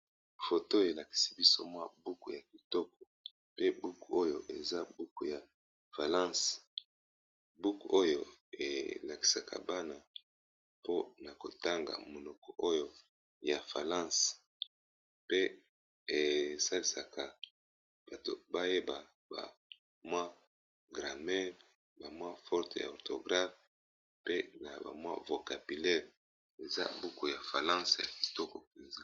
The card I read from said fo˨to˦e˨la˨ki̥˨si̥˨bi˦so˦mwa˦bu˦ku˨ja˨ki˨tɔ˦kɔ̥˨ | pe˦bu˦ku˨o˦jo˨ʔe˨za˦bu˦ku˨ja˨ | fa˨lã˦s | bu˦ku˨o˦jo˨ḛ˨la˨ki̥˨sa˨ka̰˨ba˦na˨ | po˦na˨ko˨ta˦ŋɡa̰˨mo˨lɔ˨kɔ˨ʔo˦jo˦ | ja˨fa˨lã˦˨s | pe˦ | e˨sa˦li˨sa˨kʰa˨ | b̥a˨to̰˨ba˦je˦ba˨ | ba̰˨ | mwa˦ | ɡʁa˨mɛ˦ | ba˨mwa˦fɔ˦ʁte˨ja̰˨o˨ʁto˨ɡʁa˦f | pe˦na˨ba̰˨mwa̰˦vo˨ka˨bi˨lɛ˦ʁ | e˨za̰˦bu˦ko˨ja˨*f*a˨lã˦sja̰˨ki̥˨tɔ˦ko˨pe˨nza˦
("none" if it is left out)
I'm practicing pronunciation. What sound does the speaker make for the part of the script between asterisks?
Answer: f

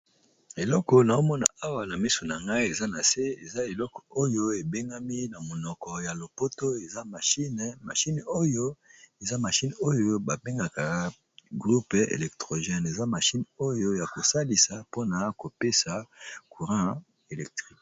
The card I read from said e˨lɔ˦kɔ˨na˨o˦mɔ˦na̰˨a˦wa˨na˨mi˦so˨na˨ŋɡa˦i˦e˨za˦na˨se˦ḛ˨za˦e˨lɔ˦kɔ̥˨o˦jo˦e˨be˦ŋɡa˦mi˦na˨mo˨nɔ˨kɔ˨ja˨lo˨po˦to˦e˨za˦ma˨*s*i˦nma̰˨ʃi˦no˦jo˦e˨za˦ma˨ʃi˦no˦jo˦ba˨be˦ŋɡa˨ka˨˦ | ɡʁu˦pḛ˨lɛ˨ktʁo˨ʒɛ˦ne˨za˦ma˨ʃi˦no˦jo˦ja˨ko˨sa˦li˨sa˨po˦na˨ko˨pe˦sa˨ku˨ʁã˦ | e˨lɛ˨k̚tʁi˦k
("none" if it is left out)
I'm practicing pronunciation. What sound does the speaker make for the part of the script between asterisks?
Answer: ʃ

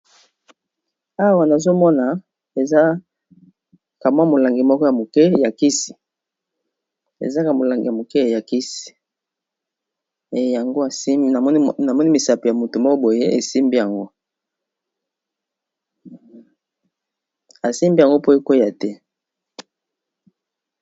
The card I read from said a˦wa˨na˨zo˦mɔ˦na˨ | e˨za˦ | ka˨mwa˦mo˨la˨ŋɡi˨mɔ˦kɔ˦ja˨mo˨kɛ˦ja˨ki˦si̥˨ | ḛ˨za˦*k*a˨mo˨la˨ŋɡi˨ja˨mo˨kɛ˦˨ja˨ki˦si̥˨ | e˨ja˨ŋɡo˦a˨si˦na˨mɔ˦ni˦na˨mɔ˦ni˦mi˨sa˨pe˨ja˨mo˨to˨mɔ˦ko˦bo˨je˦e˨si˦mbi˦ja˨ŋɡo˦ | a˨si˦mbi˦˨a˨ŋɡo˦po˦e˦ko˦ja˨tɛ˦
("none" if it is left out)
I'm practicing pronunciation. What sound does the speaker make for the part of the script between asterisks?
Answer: k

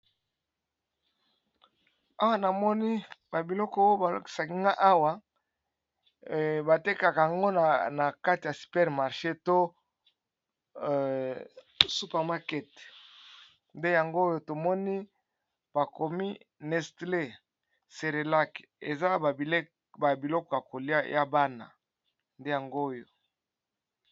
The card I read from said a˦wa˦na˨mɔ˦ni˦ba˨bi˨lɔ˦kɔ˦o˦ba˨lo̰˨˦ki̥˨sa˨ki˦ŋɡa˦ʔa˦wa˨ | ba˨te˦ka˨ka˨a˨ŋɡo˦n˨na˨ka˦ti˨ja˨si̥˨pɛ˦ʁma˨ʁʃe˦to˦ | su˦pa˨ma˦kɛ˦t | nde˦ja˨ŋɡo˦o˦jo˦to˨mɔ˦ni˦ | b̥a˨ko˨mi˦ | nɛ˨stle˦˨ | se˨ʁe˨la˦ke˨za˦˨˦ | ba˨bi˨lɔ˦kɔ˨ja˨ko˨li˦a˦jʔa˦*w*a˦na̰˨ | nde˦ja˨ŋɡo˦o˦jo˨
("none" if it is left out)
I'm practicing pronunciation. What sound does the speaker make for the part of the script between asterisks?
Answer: b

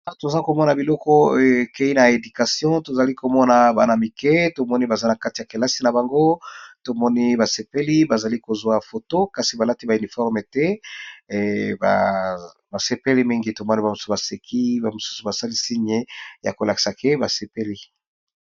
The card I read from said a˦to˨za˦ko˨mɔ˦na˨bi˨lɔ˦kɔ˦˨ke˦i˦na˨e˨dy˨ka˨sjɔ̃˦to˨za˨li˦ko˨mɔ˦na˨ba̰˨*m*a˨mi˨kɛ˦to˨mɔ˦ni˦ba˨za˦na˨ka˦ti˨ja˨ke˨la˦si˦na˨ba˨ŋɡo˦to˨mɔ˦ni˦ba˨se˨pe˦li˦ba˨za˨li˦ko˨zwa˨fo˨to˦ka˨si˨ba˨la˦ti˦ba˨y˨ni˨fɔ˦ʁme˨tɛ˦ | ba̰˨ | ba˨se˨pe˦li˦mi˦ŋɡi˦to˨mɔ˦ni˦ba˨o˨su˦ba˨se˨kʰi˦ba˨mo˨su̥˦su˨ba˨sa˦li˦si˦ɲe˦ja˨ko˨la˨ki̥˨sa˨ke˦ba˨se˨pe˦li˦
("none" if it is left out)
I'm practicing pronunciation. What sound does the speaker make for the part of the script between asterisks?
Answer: n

